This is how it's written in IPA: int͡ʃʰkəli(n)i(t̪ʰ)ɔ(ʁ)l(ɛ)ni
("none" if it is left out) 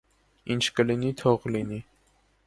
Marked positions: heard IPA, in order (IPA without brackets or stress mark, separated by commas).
n, t̪ʰ, ʁ, i